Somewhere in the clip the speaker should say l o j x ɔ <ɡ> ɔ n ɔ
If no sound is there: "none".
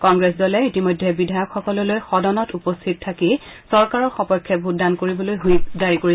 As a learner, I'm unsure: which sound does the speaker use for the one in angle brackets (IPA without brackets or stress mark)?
d